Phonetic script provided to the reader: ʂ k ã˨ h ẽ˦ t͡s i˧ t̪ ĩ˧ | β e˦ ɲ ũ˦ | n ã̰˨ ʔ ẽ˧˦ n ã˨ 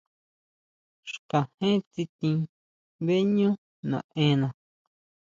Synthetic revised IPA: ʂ k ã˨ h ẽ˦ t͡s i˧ t̪ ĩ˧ | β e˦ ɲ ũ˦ | n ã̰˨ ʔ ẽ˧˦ n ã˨